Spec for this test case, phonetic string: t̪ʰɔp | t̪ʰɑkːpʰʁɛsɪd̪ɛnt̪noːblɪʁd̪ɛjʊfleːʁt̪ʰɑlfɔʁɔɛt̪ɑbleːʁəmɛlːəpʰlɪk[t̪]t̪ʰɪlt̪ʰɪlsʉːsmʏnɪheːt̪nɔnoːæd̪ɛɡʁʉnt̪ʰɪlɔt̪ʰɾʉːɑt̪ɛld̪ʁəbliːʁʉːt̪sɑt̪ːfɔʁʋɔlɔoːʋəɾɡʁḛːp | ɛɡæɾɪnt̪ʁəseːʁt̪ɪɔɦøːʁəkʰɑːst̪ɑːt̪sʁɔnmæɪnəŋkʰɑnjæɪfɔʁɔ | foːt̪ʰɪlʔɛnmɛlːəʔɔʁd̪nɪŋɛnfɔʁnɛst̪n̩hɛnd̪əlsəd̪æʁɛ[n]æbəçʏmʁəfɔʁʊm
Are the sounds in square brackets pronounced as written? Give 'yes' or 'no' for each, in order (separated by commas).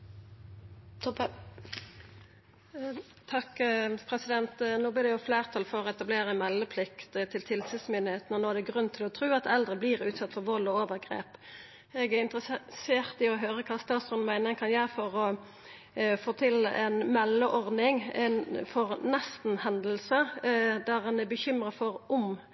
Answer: yes, yes